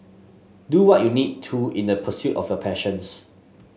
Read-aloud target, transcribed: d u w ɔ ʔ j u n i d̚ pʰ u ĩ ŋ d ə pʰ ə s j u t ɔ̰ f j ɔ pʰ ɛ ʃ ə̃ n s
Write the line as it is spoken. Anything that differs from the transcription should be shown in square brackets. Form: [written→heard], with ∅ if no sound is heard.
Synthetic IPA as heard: d u w ɔ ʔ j u n i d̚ [pʰ→tʰ] u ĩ [ŋ→n] d ə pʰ ə s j u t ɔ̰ f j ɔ pʰ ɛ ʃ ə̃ n s